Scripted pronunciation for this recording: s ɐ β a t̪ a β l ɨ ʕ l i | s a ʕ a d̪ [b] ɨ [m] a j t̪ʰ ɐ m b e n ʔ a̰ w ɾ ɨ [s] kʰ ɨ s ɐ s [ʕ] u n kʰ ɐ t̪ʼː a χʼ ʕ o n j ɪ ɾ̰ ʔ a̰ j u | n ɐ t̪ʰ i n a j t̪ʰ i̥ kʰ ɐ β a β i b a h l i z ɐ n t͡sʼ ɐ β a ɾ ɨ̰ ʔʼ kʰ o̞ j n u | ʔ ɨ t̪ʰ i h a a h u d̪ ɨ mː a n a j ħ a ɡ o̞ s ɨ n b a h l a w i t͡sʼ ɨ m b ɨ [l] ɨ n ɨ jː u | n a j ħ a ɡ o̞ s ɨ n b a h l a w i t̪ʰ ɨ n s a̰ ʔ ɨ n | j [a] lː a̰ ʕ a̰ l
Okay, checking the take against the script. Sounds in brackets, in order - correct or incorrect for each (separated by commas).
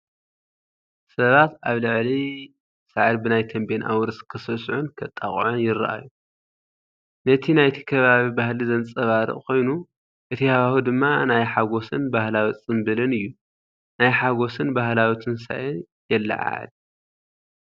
correct, incorrect, correct, correct, correct, incorrect